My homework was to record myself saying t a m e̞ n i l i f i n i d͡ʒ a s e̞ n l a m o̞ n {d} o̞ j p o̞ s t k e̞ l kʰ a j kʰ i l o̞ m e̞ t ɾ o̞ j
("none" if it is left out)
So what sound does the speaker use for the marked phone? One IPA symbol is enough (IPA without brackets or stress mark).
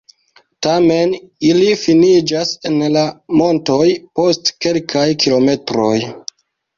t